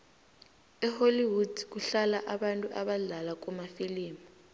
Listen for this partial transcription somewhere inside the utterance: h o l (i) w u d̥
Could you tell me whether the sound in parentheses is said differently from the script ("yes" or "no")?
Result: no